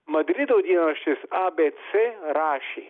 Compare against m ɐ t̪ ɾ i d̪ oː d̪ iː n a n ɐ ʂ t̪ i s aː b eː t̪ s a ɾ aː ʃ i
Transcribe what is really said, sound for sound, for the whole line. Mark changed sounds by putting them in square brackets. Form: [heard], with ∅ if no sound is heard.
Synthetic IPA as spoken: m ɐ [d̪] ɾ i d̪ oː d̪ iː n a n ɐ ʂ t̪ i s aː b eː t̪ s [e] ɾ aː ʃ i